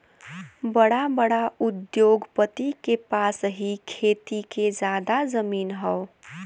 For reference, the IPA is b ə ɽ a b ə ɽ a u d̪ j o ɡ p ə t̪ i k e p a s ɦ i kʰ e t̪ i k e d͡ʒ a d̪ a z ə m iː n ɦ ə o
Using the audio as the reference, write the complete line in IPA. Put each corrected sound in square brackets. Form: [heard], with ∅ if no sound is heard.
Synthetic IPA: b ə ɽ a b ə ɽ a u d̪ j o ɡ p ə t̪ i k e p a s ɦ i kʰ e t̪ i k e d͡ʒ a d̪ a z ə m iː n ɦ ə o